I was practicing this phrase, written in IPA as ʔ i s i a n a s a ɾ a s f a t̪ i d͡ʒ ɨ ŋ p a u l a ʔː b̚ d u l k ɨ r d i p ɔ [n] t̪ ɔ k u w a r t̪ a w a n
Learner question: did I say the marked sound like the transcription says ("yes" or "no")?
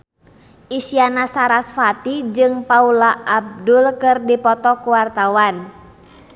no